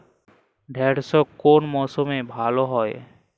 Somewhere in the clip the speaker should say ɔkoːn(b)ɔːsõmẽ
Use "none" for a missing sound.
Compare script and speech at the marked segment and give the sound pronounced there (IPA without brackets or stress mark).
m